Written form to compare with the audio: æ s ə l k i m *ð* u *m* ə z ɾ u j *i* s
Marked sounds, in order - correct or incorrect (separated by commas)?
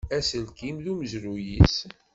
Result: correct, correct, correct